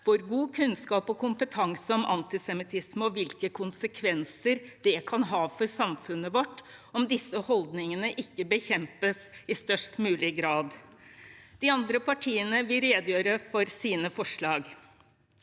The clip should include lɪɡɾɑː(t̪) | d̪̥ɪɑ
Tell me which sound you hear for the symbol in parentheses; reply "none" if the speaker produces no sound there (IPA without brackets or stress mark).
d̪